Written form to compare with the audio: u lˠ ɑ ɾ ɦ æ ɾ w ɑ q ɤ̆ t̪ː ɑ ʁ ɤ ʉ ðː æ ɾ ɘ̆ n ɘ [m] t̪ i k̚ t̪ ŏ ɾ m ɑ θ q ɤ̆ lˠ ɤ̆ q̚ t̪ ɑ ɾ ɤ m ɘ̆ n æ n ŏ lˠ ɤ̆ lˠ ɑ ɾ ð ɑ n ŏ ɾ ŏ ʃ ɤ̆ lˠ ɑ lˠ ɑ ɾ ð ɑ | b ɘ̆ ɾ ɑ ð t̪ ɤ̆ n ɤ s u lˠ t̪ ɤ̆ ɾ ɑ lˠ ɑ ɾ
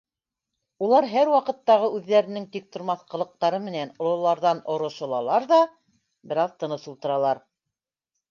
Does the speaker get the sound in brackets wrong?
yes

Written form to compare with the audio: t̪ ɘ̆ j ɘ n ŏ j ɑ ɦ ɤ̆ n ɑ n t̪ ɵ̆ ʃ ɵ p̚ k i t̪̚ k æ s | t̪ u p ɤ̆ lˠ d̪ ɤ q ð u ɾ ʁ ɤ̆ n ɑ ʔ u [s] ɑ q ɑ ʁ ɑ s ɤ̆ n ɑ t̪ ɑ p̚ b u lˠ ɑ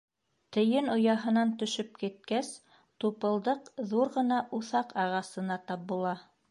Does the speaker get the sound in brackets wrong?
yes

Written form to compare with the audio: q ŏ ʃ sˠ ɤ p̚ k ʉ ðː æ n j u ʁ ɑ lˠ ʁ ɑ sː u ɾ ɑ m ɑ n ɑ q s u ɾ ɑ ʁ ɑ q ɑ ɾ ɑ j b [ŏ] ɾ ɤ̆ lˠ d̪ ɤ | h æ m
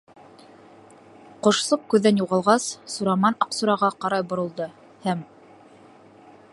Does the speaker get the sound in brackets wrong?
no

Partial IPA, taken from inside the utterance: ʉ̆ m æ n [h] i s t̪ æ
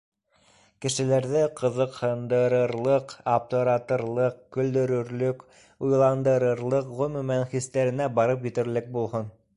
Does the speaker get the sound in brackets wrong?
yes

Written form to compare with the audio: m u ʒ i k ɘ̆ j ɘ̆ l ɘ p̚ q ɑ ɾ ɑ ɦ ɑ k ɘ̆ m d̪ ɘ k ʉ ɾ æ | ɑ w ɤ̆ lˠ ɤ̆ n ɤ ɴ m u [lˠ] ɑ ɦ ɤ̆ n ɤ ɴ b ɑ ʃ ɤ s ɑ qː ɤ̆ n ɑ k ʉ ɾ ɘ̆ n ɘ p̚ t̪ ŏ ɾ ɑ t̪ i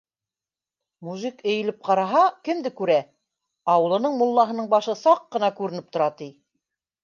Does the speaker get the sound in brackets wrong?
yes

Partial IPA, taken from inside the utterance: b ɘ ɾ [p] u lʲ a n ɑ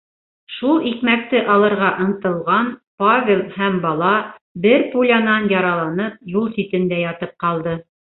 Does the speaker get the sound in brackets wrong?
no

